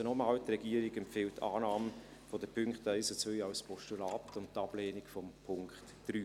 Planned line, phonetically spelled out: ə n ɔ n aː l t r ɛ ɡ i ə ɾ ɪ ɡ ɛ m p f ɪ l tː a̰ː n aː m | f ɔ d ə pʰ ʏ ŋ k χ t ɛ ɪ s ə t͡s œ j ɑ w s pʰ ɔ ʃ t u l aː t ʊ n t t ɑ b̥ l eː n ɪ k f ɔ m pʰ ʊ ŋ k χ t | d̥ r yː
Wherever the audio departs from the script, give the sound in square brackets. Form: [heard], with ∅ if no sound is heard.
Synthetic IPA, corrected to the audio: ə n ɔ [m] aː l t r ɛ ɡ i ə ɾ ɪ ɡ ɛ m p f ɪ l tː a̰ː n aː m | f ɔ d ə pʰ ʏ ŋ k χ t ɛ ɪ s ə t͡s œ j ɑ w s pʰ ɔ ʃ t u l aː t ʊ n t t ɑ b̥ l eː n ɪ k f ɔ m pʰ ʊ ŋ k χ t | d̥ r yː

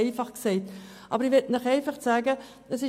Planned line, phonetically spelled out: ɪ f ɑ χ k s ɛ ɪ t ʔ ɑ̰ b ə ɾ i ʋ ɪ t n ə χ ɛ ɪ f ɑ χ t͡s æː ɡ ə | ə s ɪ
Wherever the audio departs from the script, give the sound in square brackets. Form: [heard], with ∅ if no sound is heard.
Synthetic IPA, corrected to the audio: ɪ f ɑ χ k s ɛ ɪ t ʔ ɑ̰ b ə ɾ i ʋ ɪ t n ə χ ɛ ɪ f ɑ χ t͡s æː ɡ ə | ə s ɪ

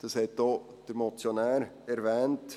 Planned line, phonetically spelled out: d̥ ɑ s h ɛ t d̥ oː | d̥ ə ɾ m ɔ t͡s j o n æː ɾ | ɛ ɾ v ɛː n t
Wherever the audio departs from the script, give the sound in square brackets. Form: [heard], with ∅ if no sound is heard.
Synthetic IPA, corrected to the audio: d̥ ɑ s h ɛ t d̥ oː | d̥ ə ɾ m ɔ t͡s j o n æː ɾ | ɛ ɾ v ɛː n t

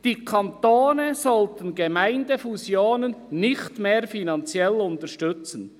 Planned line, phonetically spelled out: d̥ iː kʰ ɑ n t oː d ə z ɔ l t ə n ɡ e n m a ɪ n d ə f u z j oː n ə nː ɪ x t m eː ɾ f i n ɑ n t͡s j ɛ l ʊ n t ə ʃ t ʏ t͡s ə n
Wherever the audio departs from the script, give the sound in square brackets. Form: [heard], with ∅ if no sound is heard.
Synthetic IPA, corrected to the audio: d̥ iː kʰ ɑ n t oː [n] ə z ɔ l t ə n ɡ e [∅] m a ɪ n d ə f u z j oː n ə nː ɪ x t m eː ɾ f i n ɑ n t͡s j ɛ l ʊ n t ə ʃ t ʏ t͡s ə n

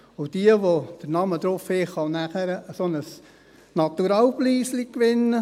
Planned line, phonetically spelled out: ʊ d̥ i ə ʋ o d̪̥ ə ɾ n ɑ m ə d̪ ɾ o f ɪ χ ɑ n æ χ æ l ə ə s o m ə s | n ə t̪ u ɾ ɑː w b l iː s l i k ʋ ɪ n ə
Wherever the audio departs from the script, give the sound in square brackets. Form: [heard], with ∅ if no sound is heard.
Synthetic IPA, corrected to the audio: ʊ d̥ i ə ʋ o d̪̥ ə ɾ n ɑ m ə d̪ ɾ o f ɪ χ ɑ n æ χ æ [ɾ] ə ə s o [n] ə s | n [ɑ] t̪ u ɾ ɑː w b l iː s l i k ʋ ɪ n ə

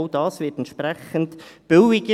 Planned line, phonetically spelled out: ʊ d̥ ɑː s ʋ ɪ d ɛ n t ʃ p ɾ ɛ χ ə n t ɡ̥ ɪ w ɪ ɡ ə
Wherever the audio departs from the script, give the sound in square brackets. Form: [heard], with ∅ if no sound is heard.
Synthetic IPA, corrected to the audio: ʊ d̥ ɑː s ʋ ɪ [t] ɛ n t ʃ p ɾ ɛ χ ə n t [b̥] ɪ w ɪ ɡ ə

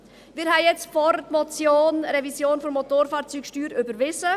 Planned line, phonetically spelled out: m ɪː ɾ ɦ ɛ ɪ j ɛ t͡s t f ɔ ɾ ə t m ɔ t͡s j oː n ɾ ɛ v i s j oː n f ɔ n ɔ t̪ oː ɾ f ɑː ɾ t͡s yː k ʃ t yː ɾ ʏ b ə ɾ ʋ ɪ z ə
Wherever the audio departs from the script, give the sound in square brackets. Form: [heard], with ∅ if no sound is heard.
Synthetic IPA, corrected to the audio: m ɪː ɾ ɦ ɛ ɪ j ɛ t͡s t f ɔ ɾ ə t m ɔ t͡s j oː n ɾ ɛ v i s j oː n f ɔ [m] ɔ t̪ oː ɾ f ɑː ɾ t͡s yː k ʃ t yː ɾ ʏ b ə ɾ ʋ ɪ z ə

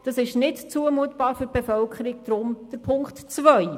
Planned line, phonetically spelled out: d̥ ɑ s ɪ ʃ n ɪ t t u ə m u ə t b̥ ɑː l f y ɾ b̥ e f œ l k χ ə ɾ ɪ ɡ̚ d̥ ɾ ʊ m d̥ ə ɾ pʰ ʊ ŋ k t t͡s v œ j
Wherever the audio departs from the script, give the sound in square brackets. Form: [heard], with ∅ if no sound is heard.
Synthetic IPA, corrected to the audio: d̥ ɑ s ɪ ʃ n ɪ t [t͡s] u ə m u ə t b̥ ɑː [ɾ] f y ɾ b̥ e f œ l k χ ə ɾ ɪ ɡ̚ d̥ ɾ ʊ m d̥ ə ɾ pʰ ʊ ŋ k t t͡s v œ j

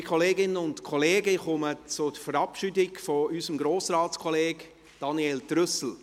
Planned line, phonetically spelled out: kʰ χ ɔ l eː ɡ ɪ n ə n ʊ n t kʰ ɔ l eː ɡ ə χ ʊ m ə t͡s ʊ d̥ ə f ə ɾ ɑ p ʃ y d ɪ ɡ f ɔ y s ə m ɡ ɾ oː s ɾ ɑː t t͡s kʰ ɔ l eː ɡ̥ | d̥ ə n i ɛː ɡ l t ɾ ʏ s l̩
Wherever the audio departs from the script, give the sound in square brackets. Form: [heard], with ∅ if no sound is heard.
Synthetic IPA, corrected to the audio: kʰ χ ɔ l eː ɡ ɪ n ə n ʊ n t kʰ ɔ l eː ɡ ə χ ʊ m ə t͡s ʊ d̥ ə f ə ɾ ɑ p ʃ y d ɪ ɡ f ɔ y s ə m ɡ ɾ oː s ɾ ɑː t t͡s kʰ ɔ l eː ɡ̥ | d̥ [ɑ] n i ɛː [∅] l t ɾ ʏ s l̩

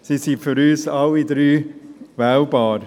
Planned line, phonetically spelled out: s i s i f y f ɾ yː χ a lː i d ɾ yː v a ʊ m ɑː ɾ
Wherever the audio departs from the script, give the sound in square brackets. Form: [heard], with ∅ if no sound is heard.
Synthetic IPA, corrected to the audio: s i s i f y [∅] ɾ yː [s] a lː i d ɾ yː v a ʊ [b] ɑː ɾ

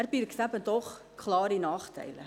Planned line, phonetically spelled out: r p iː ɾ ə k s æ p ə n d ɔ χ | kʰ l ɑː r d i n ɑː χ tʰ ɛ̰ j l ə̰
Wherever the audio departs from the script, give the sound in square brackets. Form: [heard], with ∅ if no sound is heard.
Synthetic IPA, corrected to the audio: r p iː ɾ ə k s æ p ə n [t] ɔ χ | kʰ l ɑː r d i n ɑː χ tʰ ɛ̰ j l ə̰

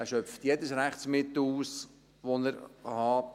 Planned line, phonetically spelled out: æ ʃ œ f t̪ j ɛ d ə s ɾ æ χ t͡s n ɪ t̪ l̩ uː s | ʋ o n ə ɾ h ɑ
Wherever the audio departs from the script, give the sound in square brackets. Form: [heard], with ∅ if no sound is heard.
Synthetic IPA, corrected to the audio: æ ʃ œ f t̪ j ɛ d ə s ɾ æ χ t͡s [m] ɪ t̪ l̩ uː s | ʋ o n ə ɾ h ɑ

